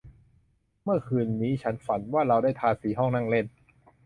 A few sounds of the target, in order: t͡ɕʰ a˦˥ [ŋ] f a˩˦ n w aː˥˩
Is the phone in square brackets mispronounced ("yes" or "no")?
yes